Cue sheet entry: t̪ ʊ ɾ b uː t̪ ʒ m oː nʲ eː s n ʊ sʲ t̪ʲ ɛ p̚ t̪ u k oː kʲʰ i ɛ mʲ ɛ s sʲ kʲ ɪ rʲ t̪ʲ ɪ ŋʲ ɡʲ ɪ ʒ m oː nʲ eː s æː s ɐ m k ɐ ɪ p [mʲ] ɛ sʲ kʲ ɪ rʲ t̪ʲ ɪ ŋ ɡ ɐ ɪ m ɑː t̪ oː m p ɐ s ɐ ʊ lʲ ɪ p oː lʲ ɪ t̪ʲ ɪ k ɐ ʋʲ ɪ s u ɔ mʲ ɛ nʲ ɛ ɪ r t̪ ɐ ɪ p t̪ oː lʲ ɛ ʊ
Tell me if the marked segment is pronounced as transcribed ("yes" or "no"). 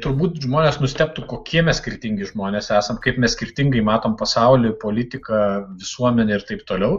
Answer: yes